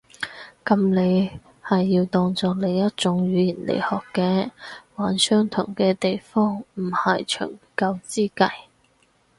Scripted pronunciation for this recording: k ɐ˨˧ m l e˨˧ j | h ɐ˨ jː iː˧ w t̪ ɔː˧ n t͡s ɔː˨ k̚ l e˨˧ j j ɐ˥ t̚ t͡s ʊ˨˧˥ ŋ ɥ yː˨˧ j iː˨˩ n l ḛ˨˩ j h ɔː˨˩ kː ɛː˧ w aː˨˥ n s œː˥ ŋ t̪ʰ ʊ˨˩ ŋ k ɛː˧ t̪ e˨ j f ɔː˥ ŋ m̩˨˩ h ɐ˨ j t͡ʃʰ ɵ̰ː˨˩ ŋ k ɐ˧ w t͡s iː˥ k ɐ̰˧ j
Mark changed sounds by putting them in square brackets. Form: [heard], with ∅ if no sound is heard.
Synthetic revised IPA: k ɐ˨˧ m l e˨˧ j | h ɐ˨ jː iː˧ w t̪ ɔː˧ [ŋ] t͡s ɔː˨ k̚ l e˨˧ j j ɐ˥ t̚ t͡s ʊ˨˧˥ ŋ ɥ yː˨˧ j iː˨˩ n l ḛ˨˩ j h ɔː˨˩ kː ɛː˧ w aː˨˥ n s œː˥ ŋ t̪ʰ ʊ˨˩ ŋ k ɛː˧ t̪ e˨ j f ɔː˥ ŋ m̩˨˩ h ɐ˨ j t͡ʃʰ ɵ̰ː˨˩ ŋ k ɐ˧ w t͡s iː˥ k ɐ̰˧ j